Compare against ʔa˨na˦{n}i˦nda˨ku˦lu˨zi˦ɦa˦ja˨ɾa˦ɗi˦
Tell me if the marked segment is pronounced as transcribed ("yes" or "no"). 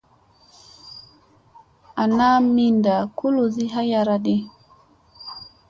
no